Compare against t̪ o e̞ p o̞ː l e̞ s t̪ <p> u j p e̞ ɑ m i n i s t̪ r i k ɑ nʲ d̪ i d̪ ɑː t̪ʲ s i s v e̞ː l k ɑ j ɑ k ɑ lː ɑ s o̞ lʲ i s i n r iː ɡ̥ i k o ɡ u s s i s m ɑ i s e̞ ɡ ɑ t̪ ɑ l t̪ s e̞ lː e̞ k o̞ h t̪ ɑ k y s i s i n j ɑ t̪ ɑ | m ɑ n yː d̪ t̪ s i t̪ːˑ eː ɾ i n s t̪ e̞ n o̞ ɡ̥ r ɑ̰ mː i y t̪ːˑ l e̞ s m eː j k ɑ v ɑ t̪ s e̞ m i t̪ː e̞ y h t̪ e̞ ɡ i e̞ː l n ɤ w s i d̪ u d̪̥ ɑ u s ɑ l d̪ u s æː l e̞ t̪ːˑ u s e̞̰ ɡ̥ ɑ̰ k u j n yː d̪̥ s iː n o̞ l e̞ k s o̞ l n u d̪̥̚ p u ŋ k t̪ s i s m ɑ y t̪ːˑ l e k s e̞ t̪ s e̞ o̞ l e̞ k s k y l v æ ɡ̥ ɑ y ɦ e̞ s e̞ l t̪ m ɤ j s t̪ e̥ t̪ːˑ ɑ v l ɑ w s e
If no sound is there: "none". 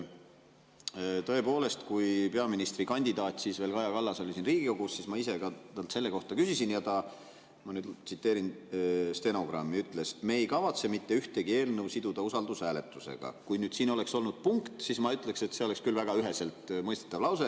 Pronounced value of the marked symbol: k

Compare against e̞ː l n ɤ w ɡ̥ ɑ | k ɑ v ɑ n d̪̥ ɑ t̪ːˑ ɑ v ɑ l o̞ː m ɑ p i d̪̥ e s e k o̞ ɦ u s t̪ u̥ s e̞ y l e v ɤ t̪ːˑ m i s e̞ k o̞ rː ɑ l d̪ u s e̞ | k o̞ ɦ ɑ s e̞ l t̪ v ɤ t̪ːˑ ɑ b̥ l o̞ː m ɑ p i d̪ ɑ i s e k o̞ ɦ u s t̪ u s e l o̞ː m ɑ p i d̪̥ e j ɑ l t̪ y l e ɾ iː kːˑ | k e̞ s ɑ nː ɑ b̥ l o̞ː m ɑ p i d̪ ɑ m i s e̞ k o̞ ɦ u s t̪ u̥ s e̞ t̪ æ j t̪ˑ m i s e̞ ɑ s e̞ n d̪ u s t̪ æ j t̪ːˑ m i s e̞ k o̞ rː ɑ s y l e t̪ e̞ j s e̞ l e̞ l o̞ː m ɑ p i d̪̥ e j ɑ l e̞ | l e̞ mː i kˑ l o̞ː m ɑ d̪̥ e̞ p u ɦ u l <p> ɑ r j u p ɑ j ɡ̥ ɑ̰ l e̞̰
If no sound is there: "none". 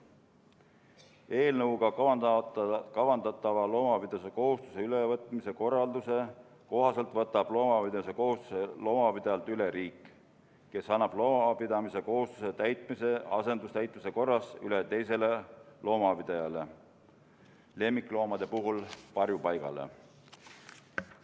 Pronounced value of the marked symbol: p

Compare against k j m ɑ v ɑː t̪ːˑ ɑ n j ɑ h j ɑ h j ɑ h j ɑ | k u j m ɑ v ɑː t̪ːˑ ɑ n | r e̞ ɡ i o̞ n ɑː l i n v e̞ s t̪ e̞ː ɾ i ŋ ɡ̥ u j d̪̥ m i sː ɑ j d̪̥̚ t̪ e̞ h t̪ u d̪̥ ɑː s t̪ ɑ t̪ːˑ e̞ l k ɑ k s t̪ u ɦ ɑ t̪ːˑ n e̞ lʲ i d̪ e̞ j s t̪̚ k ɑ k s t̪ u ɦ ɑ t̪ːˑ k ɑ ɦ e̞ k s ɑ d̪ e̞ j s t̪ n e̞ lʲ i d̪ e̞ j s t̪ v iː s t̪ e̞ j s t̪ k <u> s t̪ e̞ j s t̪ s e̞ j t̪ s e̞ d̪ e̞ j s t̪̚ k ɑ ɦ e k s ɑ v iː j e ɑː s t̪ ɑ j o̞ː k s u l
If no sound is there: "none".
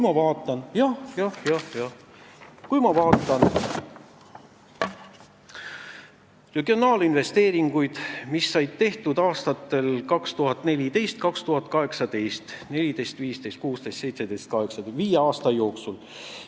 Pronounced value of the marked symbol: uː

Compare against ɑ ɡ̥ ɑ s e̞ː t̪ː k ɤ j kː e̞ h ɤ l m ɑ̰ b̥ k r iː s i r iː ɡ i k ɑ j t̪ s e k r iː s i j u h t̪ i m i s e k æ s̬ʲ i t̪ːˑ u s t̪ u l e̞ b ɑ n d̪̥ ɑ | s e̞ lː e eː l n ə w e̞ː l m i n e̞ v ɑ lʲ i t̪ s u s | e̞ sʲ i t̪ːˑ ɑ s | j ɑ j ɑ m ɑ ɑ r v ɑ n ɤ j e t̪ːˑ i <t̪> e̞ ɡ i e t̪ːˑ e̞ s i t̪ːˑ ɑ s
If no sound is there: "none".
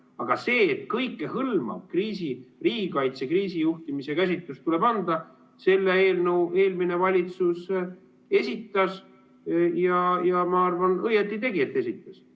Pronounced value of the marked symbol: t̪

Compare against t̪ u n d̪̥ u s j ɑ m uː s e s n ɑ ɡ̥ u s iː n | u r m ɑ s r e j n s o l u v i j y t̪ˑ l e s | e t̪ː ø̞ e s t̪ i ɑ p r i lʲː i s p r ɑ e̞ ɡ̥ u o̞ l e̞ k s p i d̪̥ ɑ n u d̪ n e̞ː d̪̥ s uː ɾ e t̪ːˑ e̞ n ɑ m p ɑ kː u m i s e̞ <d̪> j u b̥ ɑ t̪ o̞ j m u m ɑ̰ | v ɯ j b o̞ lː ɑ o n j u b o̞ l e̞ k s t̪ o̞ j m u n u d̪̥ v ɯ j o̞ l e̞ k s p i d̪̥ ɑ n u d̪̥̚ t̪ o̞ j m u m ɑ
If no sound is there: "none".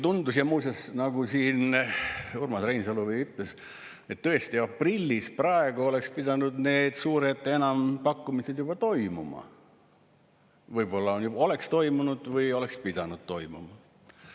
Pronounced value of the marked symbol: d̪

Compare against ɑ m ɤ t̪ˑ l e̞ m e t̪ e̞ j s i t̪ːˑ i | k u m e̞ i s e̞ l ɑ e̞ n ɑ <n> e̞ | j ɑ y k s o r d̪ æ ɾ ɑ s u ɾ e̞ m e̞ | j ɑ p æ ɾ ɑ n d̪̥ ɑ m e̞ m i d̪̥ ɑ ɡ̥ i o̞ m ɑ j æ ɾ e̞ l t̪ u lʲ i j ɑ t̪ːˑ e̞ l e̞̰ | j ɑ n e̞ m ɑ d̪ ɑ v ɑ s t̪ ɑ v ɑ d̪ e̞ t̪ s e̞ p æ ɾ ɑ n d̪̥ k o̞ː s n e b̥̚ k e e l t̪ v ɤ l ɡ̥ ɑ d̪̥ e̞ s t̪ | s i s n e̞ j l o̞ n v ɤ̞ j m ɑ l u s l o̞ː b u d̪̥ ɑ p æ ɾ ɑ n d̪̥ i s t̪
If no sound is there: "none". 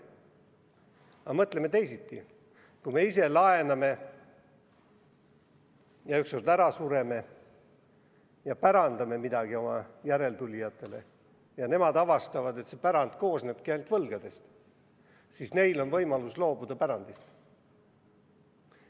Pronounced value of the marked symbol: m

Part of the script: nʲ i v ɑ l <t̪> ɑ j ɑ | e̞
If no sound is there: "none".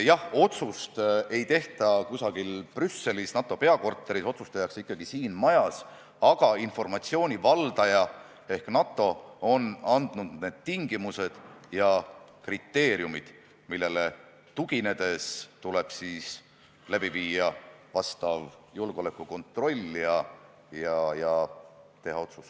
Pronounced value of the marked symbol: d̪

